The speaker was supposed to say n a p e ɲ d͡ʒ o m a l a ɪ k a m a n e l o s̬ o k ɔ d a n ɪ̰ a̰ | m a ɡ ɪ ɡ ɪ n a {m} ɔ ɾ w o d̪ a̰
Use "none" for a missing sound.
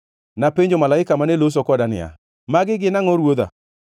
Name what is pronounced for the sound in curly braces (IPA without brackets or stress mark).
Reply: ŋ